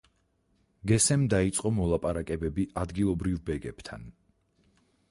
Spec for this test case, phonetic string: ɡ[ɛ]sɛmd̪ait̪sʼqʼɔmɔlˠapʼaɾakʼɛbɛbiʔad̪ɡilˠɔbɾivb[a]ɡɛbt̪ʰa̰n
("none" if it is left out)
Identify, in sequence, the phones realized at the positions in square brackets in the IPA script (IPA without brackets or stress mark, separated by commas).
ɛ, ɛ